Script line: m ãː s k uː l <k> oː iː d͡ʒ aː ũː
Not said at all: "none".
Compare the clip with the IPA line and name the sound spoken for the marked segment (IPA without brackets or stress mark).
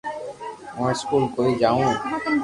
k